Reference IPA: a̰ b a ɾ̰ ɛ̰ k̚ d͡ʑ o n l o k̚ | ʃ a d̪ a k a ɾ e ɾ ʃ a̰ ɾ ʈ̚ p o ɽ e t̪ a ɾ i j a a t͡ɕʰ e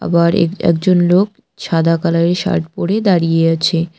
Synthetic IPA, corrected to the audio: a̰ b a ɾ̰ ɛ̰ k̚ d͡ʑ o n l o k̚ | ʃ a d̪ a k a l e ɾ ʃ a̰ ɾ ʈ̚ p o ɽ e d̪ a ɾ i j e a t͡ɕʰ e